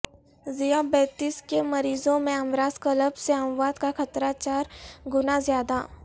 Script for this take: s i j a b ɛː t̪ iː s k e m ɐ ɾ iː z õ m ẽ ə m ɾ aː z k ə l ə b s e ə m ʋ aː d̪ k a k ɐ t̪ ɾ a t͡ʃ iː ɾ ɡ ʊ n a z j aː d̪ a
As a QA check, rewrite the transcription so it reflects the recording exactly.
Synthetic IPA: z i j a b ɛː t̪ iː s k e m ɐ ɾ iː z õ m ẽ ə m ɾ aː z k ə l ə b s e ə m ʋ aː d̪ k a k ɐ t̪ ɾ a t͡ʃ aː ɾ ɡ ʊ n a z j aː d̪ a